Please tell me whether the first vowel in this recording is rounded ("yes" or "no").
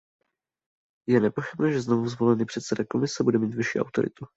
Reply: no